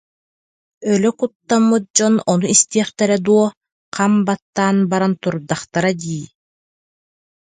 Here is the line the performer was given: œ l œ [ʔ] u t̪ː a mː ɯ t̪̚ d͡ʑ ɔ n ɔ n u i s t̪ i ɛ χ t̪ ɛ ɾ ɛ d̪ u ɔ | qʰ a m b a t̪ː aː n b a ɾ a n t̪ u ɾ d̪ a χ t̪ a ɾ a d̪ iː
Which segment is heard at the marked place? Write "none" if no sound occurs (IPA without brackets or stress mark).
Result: k